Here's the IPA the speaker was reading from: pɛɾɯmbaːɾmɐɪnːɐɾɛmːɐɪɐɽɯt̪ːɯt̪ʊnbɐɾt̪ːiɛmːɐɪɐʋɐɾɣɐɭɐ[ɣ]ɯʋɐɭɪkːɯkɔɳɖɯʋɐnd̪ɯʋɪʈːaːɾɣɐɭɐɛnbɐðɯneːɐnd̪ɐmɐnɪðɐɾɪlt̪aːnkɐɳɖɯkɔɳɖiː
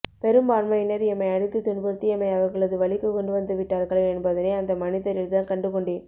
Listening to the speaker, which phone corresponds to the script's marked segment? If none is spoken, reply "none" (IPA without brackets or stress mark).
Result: ð